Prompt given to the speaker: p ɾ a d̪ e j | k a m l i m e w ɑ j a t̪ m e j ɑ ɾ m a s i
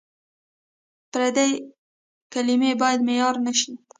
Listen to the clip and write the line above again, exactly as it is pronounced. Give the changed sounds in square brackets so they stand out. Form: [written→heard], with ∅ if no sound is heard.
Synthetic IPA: p ɾ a d̪ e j | k a [m→∅] l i m e [w→b] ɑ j a [t̪→d̪] m e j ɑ ɾ [m→n] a [s→ʃ] i